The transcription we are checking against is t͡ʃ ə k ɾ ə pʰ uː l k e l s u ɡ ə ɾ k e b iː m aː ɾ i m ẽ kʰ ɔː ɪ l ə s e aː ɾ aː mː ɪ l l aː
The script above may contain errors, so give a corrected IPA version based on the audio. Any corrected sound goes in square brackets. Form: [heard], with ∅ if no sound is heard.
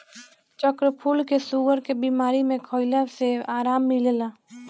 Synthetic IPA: t͡ʃ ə k ɾ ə pʰ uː l k e [∅] s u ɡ ə ɾ k e b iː m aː ɾ i m ẽ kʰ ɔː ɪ l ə s e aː ɾ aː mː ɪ l l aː

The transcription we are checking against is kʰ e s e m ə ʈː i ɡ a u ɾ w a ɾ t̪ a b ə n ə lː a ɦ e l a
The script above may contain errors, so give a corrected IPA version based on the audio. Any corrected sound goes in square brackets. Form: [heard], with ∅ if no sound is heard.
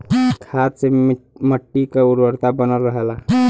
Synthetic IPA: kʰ [a] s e m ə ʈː i [k] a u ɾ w [ə] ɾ t̪ a b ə n ə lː [ə] ɦ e l a

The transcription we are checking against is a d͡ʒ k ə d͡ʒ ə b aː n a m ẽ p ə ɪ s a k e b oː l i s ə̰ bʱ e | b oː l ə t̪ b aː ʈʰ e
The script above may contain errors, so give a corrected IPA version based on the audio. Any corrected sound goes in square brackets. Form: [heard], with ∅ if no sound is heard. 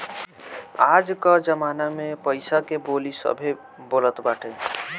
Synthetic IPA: a d͡ʒ k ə d͡ʒ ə [m] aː n a m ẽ p ə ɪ s a k e b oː l i s ə̰ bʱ e | b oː l ə t̪ b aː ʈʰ e

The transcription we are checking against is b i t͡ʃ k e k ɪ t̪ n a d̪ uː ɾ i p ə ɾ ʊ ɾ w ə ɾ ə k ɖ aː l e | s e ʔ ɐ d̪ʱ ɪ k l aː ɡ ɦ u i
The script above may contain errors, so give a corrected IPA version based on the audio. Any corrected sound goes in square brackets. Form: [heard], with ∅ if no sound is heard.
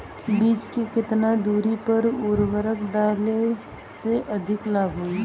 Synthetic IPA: b [iː] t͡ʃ k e k ɪ t̪ n a d̪ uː ɾ i p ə ɾ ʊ ɾ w ə ɾ ə k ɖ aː l e | s e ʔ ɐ d̪ʱ ɪ k l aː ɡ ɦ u i

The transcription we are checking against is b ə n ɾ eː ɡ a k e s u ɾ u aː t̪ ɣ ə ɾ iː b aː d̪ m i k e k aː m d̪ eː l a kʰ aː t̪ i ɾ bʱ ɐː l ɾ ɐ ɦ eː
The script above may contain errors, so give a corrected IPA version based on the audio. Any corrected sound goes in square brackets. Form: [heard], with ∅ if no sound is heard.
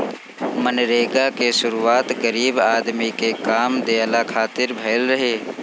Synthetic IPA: [m] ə n ɾ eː ɡ a k e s [ʊ] ɾ u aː t̪ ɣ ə ɾ iː b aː d̪ m i k e k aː m d̪ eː l a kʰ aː t̪ [ɪ] ɾ bʱ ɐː l ɾ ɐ ɦ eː

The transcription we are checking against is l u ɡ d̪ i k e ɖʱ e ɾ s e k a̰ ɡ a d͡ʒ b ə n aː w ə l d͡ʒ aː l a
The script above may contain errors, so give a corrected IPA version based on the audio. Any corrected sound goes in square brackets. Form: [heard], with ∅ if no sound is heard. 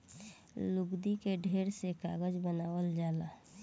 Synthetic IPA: l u ɡ d̪ i k e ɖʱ e ɾ s e k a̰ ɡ [ə] d͡ʒ b ə n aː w ə l d͡ʒ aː l a

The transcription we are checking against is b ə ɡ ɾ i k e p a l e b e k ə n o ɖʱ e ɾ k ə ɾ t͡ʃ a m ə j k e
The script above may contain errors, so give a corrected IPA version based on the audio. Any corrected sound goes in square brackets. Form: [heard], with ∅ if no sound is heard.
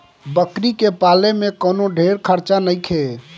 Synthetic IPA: b ə [k] ɾ i k e p a l e [m] e k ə n o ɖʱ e ɾ [kʰ] ə ɾ t͡ʃ a [n] ə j [kʰ] e

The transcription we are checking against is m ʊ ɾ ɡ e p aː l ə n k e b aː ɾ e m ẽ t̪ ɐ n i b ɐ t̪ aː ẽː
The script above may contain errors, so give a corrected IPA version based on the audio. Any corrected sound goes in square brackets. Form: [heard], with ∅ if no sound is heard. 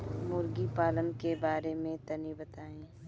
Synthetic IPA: m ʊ ɾ ɡ [i] p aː l ə n k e b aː ɾ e m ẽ t̪ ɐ n i b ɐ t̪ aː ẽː

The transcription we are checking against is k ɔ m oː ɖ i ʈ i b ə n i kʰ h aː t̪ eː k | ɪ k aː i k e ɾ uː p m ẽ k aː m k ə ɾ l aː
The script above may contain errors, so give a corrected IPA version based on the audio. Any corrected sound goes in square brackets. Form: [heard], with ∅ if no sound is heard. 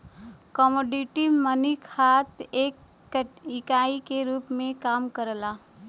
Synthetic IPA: k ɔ m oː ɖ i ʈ i [m] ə n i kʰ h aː t̪ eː k | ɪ k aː i k e ɾ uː p m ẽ k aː m k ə ɾ l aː

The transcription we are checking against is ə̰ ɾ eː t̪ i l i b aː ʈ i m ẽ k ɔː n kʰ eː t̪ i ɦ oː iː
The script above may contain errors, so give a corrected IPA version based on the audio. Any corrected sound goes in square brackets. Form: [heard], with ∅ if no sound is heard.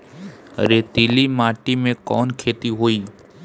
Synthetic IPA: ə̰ ɾ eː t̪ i l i [m] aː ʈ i m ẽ k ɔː n kʰ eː t̪ i ɦ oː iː

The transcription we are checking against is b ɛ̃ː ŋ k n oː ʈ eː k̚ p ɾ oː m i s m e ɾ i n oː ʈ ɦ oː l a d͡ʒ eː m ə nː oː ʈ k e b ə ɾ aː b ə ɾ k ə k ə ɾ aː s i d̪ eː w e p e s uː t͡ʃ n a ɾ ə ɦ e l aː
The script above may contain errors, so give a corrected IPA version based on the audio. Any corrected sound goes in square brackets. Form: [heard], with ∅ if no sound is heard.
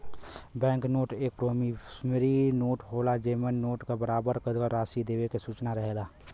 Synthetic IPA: b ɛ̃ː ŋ k n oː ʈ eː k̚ p ɾ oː m i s m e ɾ i n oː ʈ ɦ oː l a d͡ʒ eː m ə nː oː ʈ k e b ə ɾ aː b ə ɾ k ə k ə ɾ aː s i d̪ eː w e [k] e s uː t͡ʃ n a ɾ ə ɦ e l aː

